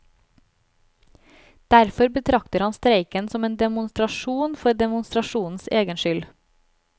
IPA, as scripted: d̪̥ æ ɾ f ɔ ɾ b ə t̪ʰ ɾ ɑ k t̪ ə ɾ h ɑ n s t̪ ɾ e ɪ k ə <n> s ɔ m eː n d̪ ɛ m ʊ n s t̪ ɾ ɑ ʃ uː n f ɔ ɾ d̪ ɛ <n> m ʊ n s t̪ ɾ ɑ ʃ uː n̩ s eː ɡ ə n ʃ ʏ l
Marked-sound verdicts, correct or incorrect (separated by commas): correct, incorrect